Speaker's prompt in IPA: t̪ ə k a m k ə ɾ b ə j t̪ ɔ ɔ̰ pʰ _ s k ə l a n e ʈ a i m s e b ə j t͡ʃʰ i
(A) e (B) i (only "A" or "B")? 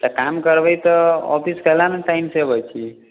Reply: B